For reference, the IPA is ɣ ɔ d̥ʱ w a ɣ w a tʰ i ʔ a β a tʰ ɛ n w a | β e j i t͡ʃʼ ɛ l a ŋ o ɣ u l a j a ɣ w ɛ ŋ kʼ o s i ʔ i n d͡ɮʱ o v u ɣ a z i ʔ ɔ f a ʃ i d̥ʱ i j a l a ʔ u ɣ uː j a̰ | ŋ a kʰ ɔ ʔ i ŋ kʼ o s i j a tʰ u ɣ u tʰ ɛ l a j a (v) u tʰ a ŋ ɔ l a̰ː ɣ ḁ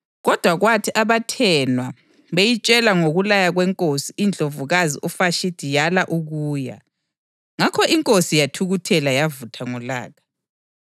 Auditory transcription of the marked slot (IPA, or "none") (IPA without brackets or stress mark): v